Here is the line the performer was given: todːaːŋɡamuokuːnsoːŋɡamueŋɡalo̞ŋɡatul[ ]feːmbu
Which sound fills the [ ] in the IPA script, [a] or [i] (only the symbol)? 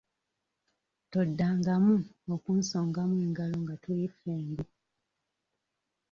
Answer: i